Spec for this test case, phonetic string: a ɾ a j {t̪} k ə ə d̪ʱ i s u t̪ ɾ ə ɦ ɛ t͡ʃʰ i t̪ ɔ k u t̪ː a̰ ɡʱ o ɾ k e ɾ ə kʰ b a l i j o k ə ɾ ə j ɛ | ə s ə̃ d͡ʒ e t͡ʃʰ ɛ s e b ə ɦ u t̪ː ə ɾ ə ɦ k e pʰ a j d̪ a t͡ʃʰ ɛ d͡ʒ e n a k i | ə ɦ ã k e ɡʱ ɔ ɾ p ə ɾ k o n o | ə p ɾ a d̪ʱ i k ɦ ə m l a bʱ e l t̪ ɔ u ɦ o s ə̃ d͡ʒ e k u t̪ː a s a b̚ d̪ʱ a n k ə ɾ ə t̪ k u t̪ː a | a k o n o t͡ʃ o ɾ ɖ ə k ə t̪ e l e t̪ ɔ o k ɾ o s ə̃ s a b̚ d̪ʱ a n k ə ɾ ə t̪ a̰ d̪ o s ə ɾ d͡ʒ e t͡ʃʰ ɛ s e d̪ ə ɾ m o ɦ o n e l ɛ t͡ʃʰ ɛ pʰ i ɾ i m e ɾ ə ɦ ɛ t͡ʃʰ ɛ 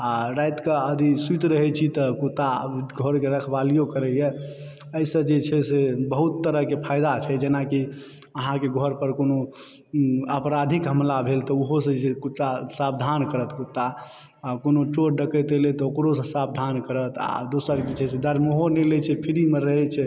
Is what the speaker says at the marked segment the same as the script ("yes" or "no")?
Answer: yes